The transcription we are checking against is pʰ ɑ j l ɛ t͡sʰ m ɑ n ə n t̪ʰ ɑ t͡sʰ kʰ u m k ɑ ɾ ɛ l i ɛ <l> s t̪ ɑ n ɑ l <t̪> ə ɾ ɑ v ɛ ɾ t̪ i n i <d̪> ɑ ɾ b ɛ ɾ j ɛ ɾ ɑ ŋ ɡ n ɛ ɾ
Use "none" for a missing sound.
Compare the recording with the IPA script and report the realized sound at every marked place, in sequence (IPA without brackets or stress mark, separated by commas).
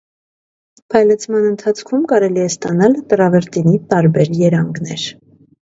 none, t̪, t̪